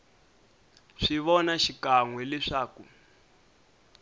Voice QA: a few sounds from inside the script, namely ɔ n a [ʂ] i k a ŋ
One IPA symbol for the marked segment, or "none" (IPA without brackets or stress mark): ʃ